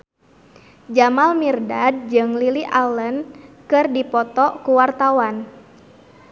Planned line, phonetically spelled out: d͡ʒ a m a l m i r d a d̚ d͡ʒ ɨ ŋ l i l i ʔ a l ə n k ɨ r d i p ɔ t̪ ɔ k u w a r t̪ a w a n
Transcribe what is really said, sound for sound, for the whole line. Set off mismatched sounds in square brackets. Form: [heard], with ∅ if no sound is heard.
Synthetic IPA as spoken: d͡ʒ a m a l m i r d a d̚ d͡ʒ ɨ ŋ l i l i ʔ a l ə n k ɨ r d i p ɔ t̪ ɔ k u w a r t̪ a w a n